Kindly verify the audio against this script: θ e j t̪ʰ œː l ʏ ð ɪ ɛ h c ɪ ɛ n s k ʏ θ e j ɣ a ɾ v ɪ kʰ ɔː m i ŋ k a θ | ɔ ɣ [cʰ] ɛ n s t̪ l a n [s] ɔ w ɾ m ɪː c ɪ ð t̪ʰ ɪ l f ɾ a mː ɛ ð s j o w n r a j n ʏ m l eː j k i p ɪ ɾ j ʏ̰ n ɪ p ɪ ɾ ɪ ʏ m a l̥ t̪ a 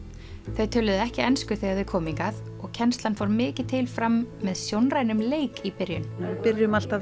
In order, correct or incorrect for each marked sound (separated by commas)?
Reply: correct, incorrect